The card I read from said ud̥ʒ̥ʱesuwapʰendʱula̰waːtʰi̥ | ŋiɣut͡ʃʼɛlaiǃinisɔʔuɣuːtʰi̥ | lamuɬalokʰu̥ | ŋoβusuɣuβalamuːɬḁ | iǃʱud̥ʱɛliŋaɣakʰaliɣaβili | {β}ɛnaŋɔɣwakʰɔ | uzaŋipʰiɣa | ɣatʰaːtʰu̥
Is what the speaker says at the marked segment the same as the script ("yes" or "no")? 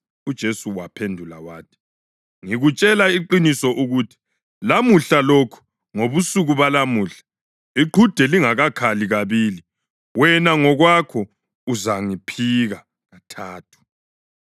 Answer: no